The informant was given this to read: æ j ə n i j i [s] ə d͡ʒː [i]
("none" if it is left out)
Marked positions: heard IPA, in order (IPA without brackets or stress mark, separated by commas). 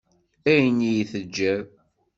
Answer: θ, æ